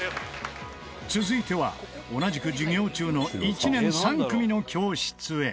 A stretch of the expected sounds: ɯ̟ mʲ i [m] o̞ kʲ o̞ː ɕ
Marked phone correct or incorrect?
incorrect